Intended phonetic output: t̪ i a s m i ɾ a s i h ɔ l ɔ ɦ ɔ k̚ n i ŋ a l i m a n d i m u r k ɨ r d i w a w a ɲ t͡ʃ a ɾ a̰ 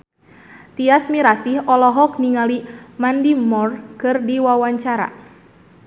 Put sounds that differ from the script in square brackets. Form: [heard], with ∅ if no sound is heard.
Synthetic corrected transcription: t̪ i a s m i ɾ a s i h ɔ l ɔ ɦ ɔ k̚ n i ŋ a l i m a n d i m [ɔ] r k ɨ r d i w a w a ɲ t͡ʃ a ɾ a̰